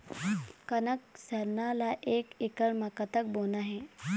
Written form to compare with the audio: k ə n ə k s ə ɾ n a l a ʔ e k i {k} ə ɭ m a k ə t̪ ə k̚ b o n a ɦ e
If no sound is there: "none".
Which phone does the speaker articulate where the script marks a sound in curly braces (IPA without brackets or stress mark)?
k